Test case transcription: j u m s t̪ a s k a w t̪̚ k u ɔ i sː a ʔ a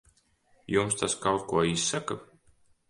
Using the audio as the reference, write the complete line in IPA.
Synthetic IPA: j u m s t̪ a s k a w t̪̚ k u ɔ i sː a k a